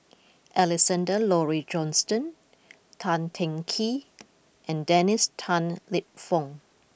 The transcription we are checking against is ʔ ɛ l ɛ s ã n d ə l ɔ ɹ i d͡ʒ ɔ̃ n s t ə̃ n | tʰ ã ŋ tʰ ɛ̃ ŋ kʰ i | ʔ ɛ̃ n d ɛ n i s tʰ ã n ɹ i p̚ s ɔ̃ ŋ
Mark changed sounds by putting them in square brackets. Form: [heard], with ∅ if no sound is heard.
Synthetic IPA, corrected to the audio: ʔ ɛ l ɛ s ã n d ə l ɔ ɹ i d͡ʒ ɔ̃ n s t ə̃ n | tʰ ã [n] tʰ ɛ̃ ŋ kʰ i | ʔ ɛ̃ n d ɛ n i s tʰ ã n [l] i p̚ [f] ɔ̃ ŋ